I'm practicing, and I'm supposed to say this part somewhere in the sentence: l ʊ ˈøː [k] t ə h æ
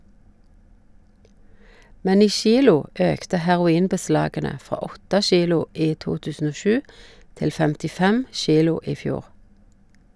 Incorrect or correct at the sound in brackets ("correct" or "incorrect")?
correct